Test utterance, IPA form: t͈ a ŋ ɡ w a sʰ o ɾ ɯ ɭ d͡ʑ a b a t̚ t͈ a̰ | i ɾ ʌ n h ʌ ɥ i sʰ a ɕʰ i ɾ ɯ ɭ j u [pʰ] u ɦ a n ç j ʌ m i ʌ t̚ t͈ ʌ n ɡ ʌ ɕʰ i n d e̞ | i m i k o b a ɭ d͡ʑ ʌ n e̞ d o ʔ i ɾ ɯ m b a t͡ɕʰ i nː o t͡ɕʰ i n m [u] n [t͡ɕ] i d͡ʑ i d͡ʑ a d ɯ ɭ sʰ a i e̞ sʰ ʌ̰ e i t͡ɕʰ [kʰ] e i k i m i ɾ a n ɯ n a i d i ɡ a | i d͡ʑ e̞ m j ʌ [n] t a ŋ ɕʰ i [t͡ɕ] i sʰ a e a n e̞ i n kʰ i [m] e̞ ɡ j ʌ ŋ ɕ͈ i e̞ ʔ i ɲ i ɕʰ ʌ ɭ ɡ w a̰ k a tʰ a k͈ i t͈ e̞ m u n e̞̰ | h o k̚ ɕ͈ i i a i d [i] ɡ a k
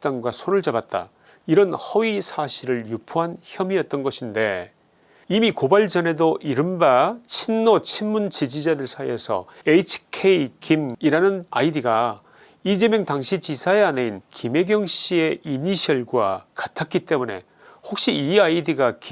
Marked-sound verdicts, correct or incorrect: correct, correct, correct, correct, incorrect: ŋ, correct, correct, correct

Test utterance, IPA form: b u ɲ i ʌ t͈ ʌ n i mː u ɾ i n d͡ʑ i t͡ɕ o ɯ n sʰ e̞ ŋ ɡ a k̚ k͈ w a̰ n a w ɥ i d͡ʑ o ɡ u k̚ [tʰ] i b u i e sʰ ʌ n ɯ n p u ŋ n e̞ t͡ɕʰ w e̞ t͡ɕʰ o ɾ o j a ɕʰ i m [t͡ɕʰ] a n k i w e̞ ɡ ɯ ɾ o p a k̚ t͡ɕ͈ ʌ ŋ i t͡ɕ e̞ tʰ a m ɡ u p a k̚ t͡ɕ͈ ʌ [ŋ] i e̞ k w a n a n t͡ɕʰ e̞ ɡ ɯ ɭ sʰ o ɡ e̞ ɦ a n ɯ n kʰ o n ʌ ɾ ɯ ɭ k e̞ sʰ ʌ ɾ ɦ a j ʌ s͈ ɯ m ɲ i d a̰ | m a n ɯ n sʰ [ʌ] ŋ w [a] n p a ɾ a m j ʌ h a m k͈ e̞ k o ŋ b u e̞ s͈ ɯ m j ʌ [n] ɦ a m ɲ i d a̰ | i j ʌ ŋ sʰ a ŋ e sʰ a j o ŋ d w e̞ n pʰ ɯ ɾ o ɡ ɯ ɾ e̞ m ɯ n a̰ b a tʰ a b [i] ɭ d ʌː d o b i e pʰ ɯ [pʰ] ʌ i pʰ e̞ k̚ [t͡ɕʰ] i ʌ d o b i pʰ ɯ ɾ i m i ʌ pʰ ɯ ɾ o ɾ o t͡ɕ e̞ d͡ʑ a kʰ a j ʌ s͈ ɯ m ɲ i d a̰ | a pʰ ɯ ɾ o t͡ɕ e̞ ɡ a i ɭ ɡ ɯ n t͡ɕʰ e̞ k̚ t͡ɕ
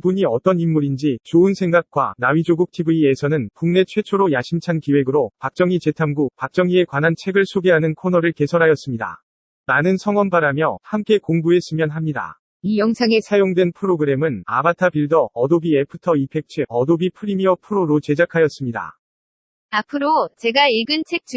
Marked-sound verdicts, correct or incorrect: correct, correct, correct, correct, incorrect: ʌ, correct, correct, incorrect: tʰ, correct

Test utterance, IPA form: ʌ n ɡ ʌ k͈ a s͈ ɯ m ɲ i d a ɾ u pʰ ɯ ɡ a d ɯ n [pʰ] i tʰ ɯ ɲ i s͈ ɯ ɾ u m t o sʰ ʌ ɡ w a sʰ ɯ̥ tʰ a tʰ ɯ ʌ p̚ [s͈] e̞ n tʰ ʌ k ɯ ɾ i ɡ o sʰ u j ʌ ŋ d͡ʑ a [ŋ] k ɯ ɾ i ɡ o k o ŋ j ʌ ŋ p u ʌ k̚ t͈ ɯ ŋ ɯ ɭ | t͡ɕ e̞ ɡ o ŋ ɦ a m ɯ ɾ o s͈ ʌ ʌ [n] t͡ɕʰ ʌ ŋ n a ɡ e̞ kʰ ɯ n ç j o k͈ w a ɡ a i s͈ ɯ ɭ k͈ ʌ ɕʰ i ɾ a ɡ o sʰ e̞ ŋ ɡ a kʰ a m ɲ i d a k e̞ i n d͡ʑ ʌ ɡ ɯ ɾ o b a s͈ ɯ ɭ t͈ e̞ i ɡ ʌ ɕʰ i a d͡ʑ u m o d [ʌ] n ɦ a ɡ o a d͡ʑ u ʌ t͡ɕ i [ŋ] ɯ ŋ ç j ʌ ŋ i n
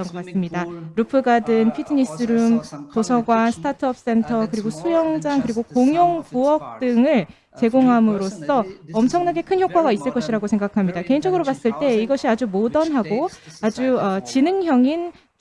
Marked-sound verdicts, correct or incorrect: correct, correct, correct, incorrect: m, correct, incorrect: n

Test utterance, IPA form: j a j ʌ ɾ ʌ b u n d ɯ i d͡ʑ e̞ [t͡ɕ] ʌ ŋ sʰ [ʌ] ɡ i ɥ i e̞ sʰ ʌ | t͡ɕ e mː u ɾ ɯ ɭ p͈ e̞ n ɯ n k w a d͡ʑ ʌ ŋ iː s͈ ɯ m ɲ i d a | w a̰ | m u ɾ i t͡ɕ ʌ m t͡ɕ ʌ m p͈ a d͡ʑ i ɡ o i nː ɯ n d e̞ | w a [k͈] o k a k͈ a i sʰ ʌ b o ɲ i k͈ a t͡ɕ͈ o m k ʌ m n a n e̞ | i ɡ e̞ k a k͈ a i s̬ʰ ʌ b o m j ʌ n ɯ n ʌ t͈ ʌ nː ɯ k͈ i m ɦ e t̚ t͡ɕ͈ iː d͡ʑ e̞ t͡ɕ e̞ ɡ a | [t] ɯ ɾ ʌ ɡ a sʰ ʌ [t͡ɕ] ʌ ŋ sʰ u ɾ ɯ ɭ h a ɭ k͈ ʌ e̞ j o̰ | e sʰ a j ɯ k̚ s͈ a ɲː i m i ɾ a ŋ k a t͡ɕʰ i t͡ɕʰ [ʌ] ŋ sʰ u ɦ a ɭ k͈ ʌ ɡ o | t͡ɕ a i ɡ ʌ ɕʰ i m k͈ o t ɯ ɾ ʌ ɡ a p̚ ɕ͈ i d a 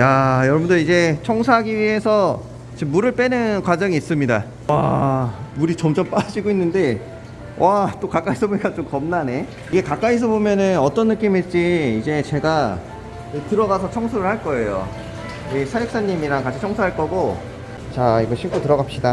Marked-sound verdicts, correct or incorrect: incorrect: t͡ɕʰ, incorrect: a, incorrect: t͈, correct, incorrect: t͡ɕʰ, correct

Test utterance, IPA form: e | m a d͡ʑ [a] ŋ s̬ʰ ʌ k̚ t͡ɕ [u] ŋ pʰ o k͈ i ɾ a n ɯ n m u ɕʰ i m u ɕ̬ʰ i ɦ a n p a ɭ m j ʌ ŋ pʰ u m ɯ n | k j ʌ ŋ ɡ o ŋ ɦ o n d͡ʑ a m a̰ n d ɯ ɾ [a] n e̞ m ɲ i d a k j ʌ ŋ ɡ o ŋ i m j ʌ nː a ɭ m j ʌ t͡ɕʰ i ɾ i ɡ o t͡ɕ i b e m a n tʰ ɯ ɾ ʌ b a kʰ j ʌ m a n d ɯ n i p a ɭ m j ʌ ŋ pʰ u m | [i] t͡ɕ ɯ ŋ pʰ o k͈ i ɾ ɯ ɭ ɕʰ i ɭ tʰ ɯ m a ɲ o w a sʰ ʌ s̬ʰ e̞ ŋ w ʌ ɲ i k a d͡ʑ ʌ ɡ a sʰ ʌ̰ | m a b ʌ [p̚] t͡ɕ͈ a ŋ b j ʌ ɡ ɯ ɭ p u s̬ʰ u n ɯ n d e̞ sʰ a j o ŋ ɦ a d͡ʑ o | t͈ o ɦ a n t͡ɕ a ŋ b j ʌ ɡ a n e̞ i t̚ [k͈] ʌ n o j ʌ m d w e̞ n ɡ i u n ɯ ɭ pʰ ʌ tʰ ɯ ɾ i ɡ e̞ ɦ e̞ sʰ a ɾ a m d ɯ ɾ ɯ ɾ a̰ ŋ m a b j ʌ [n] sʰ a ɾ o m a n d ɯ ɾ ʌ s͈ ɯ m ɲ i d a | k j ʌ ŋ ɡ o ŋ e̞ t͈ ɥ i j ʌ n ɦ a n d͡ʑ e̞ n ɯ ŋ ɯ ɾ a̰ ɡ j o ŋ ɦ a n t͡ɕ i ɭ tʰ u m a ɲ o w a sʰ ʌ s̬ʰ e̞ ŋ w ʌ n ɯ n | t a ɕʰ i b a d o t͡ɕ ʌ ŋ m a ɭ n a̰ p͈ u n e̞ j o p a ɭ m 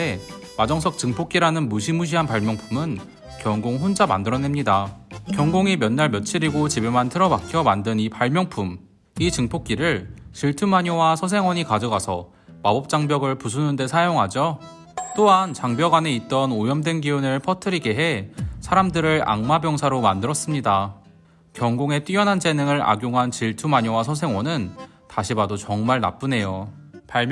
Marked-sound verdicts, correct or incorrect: incorrect: ʌ, incorrect: ɯ, incorrect: ʌ, correct, correct, incorrect: t͈, incorrect: ŋ

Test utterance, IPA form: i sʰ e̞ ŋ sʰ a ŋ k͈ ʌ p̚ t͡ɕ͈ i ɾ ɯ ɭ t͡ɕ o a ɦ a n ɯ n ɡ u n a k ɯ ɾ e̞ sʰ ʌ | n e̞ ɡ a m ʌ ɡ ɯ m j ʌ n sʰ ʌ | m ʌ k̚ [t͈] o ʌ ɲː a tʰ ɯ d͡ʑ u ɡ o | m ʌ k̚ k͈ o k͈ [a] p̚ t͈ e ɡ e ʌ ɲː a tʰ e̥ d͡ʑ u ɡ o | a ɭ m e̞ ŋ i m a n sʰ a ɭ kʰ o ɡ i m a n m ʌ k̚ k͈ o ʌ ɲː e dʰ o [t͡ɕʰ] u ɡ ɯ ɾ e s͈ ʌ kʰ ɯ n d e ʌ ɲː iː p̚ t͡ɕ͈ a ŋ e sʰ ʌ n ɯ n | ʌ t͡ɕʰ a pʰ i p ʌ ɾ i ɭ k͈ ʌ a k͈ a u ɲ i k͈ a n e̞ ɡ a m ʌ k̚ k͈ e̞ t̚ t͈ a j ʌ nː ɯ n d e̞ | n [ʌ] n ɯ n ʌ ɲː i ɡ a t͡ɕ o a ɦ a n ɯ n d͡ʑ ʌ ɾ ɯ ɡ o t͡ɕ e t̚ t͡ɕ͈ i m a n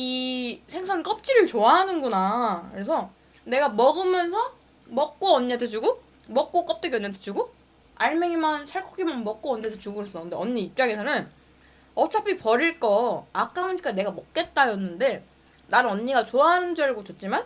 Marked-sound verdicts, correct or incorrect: incorrect: k͈, incorrect: ʌ, incorrect: t͡ɕ, incorrect: a

